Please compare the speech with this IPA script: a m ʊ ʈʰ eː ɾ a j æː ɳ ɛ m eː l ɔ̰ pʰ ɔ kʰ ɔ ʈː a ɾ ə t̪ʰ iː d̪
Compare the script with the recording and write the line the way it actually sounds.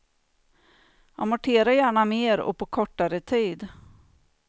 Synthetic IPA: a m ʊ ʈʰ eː ɾ a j æː ɳ a m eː ɾ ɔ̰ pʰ ɔ kʰ ɔ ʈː a ɾ ə t̪ʰ iː d̪